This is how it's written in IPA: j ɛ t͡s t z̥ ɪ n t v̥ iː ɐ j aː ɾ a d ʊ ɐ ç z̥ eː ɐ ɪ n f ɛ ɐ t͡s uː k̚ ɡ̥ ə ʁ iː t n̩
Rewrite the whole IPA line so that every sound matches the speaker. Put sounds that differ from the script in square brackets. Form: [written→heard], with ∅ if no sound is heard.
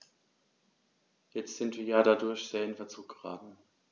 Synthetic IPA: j ɛ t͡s t z̥ ɪ n t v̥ iː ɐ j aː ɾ a d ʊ ɐ ç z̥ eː ɐ ɪ n f ɛ ɐ t͡s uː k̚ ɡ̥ ə ʁ [iː→aː] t n̩

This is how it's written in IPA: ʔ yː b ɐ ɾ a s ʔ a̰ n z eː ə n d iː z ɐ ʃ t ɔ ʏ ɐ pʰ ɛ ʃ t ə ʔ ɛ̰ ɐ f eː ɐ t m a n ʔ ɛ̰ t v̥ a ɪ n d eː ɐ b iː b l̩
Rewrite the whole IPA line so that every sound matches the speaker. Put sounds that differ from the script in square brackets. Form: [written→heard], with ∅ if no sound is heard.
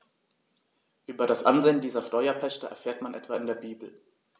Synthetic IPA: ʔ yː b ɐ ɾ a s ʔ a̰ n z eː ə n d iː z ɐ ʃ t ɔ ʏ ɐ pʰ ɛ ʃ t ə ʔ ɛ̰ ɐ f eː ɐ t m a n ʔ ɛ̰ t v̥ a ɪ n d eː ɐ b iː b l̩

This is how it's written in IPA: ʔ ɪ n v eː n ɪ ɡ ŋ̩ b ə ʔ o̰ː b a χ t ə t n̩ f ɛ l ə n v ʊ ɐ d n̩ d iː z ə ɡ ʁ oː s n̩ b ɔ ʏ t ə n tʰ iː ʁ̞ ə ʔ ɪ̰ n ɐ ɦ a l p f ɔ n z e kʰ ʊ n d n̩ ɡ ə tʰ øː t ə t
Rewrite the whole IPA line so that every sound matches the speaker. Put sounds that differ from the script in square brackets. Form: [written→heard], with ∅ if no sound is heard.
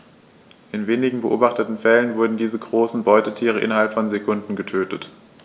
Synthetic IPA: ʔ ɪ n v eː n ɪ ɡ ŋ̩ b ə ʔ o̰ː b a χ t ə t n̩ f ɛ l ə n v ʊ ɐ d n̩ d iː z ə ɡ ʁ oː s n̩ b ɔ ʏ t ə [n→∅] tʰ iː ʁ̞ ə ʔ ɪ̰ n ɐ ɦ a l p f ɔ n z e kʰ ʊ n d n̩ ɡ ə tʰ øː t ə t

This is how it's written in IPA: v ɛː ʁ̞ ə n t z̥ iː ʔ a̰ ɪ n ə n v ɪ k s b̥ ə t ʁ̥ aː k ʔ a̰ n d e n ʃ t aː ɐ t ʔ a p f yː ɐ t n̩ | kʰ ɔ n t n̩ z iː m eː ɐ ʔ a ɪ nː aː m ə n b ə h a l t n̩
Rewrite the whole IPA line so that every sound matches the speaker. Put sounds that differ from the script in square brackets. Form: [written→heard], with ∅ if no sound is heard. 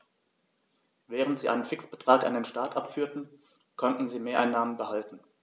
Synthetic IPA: v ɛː ʁ̞ ə n t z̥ iː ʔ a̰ ɪ n ə n [v→f] ɪ k s b̥ ə t ʁ̥ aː k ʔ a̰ n d e n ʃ t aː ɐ t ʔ a p f yː ɐ t n̩ | kʰ ɔ n t n̩ z iː m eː ɐ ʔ a ɪ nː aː m ə n b ə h a l t n̩

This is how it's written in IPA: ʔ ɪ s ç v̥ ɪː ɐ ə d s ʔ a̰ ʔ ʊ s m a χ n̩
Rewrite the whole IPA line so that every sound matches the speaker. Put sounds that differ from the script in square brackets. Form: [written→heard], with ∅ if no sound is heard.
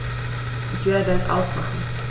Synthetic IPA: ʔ ɪ [s→∅] ç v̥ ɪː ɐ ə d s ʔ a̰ [ʔ→∅] ʊ s m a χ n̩

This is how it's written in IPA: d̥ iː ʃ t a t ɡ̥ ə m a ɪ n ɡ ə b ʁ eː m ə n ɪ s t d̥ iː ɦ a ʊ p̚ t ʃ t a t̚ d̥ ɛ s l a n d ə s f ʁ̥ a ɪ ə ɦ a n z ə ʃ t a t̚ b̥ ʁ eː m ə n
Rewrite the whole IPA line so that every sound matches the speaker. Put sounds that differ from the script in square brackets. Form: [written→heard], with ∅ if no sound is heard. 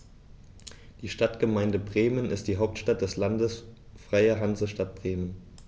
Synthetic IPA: d̥ iː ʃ t a t ɡ̥ ə m a ɪ n [ɡ→d] ə b ʁ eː m ə n ɪ s t d̥ iː ɦ a ʊ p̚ t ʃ t a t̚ d̥ ɛ s l a n d ə s f ʁ̥ a ɪ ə ɦ a n z ə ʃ t a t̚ b̥ ʁ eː m ə n

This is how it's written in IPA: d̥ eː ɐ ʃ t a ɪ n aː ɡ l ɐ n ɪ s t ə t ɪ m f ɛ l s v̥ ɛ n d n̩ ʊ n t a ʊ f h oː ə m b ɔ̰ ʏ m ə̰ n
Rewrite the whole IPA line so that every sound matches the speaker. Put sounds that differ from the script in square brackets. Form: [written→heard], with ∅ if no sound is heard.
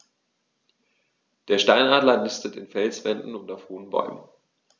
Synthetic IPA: d̥ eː ɐ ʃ t a ɪ n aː [ɡ→d] l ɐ n ɪ s t ə t ɪ [m→n] f ɛ l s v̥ ɛ n d n̩ ʊ n t a ʊ f h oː ə [m→n] b ɔ̰ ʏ m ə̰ n

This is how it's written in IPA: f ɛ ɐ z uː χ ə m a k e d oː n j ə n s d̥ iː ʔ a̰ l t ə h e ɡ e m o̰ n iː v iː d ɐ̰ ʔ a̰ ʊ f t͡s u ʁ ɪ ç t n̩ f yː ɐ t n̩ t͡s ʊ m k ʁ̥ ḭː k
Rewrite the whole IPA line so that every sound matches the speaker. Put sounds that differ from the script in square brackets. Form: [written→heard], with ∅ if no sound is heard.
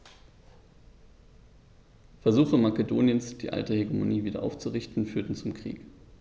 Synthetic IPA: f ɛ ɐ z uː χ ə m a k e d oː n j ə n s d̥ iː ʔ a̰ l t ə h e ɡ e m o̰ n iː v iː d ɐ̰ ʔ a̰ ʊ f t͡s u ʁ ɪ ç t n̩ f yː ɐ t n̩ t͡s ʊ m k ʁ̥ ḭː k

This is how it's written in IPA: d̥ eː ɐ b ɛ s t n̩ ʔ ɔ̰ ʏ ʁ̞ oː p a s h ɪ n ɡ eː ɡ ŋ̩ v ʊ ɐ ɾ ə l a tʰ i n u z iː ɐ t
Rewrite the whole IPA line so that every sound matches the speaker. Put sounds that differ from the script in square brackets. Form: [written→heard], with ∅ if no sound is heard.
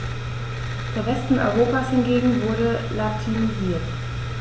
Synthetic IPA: d̥ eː ɐ [b→v] ɛ s t n̩ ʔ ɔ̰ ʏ ʁ̞ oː p a s h ɪ n ɡ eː ɡ ŋ̩ v ʊ ɐ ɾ ə l a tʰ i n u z iː ɐ t

